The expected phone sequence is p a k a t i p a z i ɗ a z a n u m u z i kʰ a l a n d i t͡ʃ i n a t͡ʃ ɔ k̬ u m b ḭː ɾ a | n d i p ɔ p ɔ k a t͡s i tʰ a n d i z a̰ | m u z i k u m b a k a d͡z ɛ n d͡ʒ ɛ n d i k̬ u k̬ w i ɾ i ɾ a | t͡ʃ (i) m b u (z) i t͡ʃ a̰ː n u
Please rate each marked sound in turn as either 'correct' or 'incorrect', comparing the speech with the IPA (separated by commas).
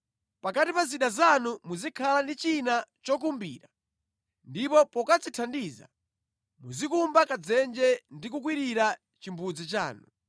correct, incorrect